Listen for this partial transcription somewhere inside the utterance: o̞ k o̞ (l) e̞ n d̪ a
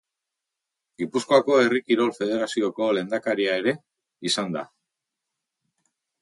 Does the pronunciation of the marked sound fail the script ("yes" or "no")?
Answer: no